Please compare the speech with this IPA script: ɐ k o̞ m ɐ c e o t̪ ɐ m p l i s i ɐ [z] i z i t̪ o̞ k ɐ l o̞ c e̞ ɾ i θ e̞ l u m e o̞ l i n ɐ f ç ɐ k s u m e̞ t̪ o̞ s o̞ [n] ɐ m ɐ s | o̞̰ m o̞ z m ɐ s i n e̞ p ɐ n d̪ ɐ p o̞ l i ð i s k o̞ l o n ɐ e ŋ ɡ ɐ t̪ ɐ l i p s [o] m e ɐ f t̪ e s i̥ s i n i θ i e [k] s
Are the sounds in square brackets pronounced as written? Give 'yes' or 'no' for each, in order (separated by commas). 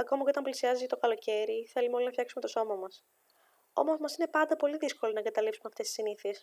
yes, no, no, no